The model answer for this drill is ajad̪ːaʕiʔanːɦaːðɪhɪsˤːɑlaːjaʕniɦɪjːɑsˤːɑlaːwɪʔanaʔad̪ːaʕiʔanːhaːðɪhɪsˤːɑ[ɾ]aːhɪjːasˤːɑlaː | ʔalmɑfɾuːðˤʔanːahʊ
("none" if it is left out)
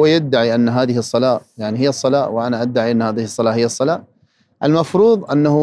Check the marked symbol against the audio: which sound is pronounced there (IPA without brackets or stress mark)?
l